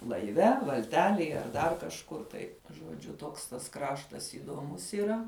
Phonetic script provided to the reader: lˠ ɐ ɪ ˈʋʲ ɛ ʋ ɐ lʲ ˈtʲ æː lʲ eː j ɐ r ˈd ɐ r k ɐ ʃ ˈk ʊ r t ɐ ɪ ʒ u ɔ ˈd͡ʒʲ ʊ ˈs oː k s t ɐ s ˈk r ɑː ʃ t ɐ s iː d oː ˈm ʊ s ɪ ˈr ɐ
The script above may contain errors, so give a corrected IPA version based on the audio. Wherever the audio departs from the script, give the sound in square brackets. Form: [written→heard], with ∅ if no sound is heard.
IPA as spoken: lˠ ɐ ɪ ˈʋʲ ɛ ʋ ɐ lʲ ˈtʲ æː lʲ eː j ɐ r ˈd ɐ r k ɐ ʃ ˈk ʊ r t ɐ ɪ ʒ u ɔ ˈd͡ʒʲ ʊ [ˈs→ˈt] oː k s t ɐ s ˈk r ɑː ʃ t ɐ s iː d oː ˈm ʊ s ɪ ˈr ɐ

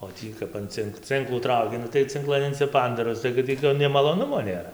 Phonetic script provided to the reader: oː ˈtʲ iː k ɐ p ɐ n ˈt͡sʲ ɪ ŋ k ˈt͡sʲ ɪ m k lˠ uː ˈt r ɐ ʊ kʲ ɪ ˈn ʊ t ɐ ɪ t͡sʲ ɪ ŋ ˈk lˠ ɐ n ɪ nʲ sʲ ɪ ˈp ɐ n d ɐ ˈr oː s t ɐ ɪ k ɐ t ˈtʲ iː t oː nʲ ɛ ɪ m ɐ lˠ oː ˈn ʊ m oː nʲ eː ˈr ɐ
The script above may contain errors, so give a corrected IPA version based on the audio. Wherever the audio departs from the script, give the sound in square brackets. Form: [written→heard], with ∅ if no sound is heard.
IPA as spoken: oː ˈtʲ iː k ɐ p ɐ n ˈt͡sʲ ɪ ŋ k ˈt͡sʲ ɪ [m→ŋ] k lˠ uː ˈt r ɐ ʊ kʲ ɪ ˈn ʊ t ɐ ɪ t͡sʲ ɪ ŋ ˈk lˠ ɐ n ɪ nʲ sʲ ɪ ˈp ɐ n d ɐ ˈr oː s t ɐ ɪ k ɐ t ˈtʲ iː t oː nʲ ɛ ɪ m ɐ lˠ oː ˈn ʊ m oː nʲ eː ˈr ɐ

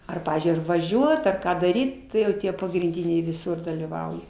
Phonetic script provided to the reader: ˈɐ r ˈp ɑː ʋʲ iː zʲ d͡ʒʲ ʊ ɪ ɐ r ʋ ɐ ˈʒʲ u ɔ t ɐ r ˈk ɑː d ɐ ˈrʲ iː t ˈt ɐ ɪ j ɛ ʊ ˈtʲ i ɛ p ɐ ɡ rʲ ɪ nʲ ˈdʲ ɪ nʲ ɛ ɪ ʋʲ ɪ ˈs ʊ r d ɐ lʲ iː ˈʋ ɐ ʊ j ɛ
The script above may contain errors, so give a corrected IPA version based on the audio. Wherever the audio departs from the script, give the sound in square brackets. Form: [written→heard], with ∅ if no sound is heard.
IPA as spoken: ˈɐ r ˈp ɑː ʋʲ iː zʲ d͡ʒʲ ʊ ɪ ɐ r ʋ ɐ ˈʒʲ u ɔ t ɐ r ˈk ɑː d ɐ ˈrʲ iː t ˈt ɐ ɪ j ɛ ʊ ˈtʲ i ɛ p ɐ ɡ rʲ ɪ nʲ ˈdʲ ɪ nʲ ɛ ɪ ʋʲ ɪ ˈs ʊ r d ɐ lʲ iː ˈʋ ɐ ʊ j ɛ

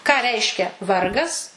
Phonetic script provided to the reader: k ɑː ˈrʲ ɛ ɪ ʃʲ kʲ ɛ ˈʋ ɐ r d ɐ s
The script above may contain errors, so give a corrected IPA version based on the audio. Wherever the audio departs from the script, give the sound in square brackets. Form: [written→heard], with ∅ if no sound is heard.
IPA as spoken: k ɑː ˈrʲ ɛ ɪ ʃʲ kʲ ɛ ˈʋ ɐ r [d→ɡ] ɐ s

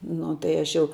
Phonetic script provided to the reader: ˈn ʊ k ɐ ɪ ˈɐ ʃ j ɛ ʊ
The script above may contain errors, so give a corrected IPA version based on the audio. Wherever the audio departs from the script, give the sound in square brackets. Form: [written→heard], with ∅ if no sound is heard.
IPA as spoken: ˈn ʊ [k→t] ɐ ɪ ˈɐ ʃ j ɛ ʊ

